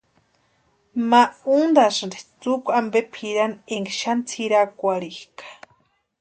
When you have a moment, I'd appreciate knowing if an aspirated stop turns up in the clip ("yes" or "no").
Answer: yes